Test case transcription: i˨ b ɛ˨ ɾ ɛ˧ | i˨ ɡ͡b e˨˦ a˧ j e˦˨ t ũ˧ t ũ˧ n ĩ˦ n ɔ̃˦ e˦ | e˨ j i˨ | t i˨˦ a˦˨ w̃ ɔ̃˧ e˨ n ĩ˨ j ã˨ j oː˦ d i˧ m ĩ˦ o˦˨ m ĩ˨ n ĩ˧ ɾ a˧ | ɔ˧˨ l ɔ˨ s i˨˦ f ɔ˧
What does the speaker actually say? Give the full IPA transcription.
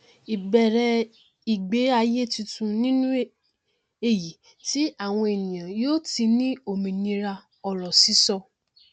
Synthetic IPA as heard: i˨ b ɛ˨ ɾ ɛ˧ | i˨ ɡ͡b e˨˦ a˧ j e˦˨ t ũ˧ t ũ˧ n ĩ˦ n ũ˦ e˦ | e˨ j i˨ | t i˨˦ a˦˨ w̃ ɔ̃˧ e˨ n ĩ˨ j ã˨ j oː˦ t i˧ n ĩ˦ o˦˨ m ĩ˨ n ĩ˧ ɾ a˧ | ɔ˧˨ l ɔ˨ s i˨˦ s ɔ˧